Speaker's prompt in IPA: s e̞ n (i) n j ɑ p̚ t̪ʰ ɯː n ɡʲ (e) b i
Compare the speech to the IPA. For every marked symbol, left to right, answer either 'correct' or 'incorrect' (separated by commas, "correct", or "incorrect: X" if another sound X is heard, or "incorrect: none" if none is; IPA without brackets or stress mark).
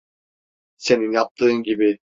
correct, incorrect: i